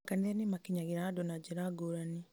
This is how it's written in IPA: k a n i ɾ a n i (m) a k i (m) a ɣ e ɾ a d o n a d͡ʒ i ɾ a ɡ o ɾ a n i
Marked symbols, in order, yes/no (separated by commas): yes, no